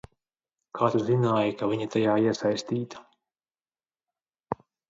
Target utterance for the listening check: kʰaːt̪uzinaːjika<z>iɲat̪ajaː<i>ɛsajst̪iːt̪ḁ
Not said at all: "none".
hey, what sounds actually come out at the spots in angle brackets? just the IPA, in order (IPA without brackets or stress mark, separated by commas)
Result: v, i